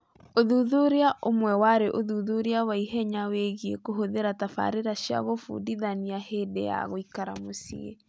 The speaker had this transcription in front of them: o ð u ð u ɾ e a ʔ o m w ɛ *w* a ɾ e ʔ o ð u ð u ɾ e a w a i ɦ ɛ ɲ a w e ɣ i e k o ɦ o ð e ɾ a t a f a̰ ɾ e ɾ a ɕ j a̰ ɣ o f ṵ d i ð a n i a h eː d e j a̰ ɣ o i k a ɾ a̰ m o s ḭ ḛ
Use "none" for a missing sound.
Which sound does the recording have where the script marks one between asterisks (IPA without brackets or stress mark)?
w